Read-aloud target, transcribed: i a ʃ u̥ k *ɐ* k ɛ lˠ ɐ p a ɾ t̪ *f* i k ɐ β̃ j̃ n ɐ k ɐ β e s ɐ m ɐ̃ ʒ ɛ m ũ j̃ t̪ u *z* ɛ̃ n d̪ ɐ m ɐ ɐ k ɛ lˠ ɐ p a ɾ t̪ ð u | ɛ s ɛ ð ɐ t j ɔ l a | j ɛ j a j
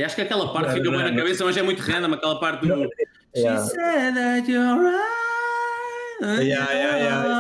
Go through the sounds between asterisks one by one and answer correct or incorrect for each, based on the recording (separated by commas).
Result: correct, correct, incorrect